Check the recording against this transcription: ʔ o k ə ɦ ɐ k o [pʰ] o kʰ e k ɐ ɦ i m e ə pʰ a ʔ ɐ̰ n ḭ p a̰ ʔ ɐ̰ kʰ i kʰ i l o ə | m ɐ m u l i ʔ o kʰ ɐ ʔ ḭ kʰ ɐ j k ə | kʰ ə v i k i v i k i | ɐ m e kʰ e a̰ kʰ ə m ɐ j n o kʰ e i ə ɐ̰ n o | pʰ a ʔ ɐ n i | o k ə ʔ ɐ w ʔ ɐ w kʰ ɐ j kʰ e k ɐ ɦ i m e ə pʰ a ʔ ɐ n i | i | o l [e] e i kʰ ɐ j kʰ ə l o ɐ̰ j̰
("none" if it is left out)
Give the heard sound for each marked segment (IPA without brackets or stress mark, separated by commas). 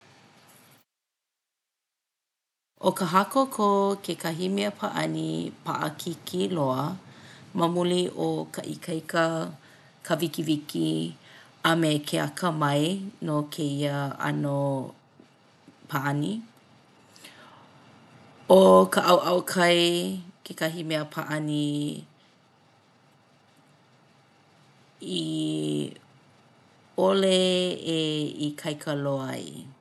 kʰ, e